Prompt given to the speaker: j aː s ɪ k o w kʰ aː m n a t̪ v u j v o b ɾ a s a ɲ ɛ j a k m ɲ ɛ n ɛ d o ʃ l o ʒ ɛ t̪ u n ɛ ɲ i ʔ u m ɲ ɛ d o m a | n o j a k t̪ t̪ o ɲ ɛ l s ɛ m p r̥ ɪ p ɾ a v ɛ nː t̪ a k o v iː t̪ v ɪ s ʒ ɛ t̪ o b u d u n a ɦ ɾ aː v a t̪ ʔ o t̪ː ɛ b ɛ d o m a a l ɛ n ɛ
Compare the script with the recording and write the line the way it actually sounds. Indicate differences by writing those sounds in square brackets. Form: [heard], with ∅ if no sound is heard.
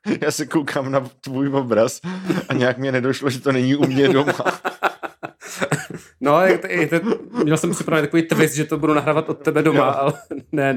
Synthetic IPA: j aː s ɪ k o w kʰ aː m n a t̪ v u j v o b ɾ a s a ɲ ɛ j a k m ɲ ɛ n ɛ d o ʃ l o ʒ ɛ t̪ [o] n ɛ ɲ i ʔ u m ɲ ɛ d o m a | n o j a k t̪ t̪ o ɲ ɛ l s ɛ m p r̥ ɪ p ɾ a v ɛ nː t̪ a k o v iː t̪ v ɪ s ʒ ɛ t̪ o b u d u n a ɦ ɾ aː v a t̪ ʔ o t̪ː ɛ b ɛ d o m a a l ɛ n ɛ